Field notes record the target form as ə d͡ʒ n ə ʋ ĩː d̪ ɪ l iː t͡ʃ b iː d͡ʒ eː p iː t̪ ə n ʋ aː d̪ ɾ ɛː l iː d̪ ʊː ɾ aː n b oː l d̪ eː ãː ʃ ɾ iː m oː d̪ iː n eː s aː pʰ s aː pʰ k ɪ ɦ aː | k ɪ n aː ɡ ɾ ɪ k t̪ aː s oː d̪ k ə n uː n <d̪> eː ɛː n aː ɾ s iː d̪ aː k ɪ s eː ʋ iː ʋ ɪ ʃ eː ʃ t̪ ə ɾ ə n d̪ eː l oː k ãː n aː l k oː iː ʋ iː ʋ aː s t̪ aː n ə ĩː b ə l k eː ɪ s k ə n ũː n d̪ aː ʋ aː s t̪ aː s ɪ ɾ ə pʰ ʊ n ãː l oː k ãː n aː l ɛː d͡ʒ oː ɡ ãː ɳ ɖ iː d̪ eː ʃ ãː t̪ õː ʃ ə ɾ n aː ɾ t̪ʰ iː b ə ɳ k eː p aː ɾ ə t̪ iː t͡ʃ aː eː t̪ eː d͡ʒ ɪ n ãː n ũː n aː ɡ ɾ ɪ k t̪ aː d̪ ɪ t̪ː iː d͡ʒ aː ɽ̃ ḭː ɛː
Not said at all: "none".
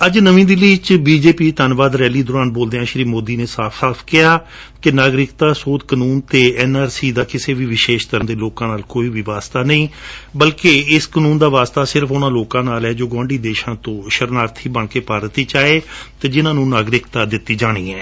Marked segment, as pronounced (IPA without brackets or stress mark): t̪